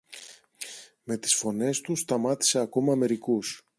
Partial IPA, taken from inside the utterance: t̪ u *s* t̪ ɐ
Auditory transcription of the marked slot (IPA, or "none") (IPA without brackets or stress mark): s